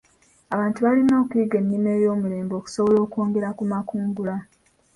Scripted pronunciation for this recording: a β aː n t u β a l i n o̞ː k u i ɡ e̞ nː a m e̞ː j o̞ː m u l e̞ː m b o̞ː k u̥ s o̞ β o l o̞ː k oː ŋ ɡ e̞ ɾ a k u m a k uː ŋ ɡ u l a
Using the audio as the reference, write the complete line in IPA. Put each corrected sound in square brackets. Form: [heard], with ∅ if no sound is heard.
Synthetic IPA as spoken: a β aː n t u β a l i n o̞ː k u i ɡ e̞ nː [i] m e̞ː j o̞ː m u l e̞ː m b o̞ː k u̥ s o̞ β o l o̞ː k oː ŋ ɡ e̞ ɾ a k u m a k uː ŋ ɡ u l a